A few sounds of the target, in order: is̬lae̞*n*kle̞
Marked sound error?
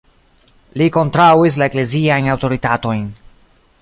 yes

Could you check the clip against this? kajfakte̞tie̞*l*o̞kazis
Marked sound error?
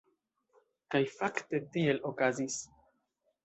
no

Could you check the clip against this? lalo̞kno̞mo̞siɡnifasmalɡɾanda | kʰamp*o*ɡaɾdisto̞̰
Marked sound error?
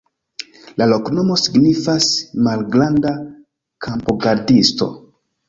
no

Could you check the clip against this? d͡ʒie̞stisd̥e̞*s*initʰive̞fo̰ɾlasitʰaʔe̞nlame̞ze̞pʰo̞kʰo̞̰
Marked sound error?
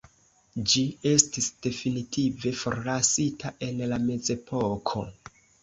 yes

